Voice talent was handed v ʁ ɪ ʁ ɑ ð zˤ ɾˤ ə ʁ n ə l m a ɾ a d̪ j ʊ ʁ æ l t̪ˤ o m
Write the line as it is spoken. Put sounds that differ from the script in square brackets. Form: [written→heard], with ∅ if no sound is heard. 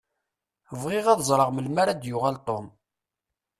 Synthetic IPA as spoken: v ʁ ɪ ʁ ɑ ð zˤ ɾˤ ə ʁ [n→m] ə l m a ɾ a d̪ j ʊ ʁ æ l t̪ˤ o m